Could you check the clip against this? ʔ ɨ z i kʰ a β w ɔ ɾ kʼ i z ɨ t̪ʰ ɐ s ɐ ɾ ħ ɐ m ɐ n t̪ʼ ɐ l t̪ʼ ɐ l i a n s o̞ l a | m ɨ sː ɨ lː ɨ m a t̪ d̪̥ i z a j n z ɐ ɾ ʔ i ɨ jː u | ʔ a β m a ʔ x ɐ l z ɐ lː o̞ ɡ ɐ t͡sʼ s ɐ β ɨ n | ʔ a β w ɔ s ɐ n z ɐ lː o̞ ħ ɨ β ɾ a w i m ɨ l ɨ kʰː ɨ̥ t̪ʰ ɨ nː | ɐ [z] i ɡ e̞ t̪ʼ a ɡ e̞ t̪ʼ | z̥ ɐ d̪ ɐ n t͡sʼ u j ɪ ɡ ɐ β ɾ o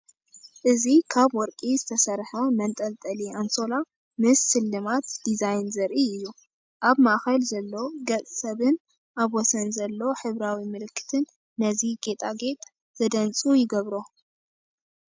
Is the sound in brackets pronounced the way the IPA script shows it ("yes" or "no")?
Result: yes